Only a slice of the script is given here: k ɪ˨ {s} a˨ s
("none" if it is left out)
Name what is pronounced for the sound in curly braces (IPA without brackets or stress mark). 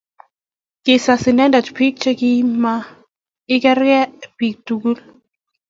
s